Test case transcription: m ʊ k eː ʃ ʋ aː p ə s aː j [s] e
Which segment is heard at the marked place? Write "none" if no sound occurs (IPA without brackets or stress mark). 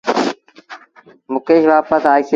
s